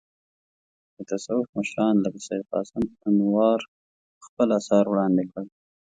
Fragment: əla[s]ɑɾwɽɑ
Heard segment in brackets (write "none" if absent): s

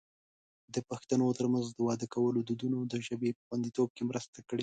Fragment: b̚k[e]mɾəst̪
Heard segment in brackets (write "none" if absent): e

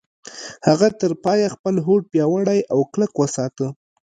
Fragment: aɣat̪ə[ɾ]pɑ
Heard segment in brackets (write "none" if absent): ɾ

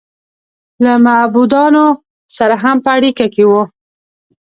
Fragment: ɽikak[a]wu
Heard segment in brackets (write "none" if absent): e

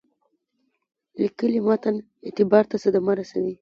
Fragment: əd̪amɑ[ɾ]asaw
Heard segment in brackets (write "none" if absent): ɾ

